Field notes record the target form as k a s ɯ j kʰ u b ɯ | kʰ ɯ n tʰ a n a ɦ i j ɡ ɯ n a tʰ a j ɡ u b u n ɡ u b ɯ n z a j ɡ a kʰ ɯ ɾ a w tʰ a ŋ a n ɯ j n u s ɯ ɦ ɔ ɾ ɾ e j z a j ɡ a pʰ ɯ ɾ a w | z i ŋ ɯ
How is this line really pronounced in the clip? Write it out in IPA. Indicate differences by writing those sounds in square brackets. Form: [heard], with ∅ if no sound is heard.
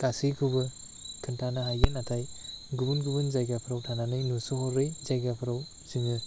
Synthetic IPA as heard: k a s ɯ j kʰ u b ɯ | kʰ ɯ n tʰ a n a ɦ [a] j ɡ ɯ n a tʰ a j ɡ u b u n ɡ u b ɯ n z a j ɡ a [pʰ] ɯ ɾ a w tʰ a [n] a n ɯ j n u s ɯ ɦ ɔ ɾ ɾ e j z a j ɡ a pʰ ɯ ɾ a w | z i ŋ ɯ